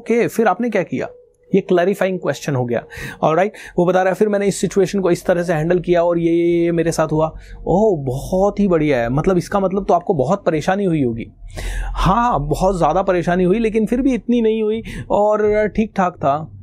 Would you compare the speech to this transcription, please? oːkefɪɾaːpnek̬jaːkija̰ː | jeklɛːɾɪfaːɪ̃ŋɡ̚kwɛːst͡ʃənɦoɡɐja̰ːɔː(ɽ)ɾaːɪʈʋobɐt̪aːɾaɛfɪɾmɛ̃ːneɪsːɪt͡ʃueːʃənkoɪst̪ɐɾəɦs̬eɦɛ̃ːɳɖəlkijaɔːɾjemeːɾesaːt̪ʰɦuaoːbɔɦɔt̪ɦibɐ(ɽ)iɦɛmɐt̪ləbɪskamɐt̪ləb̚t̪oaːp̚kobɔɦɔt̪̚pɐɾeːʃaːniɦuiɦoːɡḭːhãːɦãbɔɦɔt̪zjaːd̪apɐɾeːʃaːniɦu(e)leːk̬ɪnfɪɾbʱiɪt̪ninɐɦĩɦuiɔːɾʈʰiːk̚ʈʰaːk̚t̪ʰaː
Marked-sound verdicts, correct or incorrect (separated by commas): incorrect, correct, incorrect